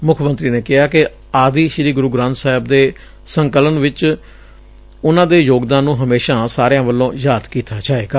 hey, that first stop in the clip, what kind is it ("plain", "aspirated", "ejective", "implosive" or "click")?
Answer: aspirated